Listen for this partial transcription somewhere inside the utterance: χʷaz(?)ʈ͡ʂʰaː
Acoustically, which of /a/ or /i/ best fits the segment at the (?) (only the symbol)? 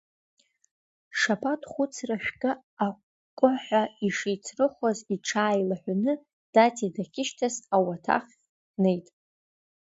i